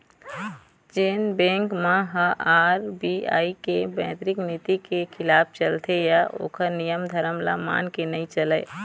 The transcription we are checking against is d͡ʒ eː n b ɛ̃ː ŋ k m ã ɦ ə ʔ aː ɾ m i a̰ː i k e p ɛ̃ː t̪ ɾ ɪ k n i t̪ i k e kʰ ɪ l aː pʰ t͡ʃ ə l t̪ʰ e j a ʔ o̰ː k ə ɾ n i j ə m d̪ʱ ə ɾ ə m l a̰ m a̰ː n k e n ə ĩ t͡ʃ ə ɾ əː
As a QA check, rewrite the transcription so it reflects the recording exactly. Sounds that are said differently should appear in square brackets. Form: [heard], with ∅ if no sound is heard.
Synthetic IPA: d͡ʒ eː n b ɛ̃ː ŋ k m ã ɦ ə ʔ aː ɾ [b] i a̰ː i k e [b] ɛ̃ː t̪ ɾ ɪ k n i t̪ i k e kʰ ɪ l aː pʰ t͡ʃ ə l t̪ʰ e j a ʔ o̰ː k ə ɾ n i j ə m d̪ʱ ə ɾ ə m l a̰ m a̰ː n k e n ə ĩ t͡ʃ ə [l] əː